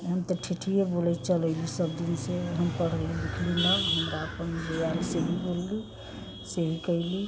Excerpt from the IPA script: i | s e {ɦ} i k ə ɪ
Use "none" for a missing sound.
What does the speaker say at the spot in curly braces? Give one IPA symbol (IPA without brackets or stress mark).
ɦ